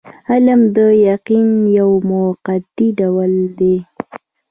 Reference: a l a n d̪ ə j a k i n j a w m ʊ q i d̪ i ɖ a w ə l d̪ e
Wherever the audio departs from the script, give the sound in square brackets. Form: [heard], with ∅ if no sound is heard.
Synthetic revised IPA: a l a [m] d̪ ə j a [q] i n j a w m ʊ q [a] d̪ i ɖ a w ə l d̪ e